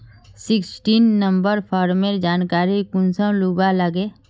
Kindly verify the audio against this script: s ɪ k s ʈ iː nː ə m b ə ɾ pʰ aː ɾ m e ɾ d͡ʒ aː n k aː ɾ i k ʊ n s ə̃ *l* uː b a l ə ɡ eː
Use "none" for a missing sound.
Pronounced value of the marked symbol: l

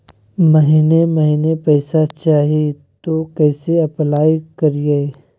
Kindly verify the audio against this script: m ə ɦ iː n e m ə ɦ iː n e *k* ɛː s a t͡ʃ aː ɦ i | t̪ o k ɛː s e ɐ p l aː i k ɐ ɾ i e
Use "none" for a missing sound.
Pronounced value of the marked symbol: p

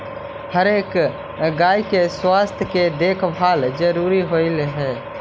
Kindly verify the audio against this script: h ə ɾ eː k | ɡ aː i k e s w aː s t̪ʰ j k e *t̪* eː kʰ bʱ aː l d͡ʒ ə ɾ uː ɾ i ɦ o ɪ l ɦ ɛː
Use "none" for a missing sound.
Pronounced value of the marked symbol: d̪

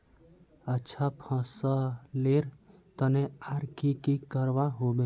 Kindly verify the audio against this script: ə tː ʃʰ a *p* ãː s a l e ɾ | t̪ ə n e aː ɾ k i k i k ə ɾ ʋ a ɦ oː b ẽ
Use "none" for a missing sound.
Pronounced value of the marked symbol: pʰ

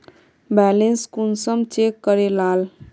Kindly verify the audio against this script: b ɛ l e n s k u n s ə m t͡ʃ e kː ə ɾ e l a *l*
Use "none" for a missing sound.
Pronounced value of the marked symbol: l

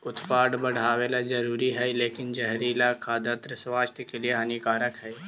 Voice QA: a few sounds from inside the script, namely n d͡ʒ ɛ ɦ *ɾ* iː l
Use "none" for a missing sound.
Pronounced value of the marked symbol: ɾ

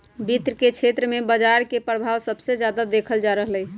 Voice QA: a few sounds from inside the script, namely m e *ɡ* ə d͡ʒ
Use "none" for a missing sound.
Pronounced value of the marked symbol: b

